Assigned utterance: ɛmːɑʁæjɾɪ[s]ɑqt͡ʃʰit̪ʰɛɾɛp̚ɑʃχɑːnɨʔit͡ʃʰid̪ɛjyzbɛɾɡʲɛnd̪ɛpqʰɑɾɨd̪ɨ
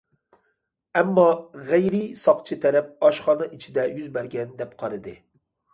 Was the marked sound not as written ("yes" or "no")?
no